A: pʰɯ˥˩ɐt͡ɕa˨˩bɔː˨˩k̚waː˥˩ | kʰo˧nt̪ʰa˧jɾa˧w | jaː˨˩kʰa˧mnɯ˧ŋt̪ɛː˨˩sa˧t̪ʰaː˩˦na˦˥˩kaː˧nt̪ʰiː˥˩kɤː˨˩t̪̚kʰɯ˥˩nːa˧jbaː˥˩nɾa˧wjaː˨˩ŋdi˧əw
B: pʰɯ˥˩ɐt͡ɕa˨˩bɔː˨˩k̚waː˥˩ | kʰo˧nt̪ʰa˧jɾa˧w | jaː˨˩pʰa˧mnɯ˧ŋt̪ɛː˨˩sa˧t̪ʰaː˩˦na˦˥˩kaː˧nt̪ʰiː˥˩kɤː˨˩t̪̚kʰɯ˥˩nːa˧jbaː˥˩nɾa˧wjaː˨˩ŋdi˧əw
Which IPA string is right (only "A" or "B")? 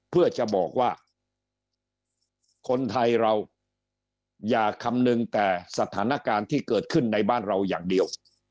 A